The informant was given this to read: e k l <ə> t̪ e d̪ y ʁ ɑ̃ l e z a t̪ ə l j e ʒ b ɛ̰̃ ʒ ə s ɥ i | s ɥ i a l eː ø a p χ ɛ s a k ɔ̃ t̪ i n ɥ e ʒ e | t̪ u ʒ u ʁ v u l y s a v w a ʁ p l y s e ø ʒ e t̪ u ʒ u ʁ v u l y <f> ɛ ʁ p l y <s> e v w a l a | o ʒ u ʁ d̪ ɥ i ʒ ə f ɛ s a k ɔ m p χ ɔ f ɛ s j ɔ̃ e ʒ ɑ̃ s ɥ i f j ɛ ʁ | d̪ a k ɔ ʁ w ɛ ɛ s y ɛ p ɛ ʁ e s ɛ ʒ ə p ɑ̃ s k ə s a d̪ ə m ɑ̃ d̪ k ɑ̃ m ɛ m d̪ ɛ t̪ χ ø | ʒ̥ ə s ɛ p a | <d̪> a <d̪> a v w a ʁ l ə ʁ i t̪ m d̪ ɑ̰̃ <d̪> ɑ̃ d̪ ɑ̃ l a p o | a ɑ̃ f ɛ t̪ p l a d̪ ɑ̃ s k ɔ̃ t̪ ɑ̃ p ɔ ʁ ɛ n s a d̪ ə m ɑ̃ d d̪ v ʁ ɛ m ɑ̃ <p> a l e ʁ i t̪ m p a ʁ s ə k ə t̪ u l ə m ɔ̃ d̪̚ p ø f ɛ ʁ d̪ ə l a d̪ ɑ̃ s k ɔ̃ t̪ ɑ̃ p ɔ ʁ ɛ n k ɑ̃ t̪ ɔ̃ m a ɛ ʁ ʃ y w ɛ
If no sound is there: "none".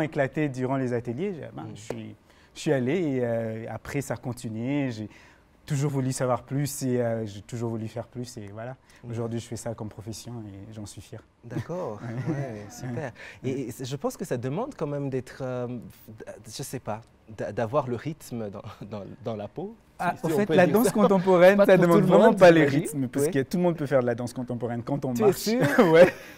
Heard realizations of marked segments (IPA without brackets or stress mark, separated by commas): a, f, s, d̪, d̪, d̪, p